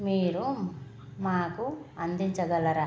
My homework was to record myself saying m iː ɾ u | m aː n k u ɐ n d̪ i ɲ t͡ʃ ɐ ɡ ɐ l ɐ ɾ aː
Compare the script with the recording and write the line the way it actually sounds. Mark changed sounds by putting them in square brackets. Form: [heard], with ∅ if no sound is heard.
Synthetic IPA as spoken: m iː ɾ u | m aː [∅] k u ɐ n d̪ i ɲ t͡ʃ ɐ ɡ ɐ l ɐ ɾ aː